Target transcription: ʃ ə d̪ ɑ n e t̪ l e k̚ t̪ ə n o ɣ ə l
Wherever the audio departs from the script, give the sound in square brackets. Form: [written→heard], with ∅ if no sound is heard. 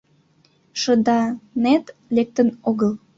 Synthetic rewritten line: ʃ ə d̪ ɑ n e t̪ l e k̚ t̪ ə n o ɣ ə l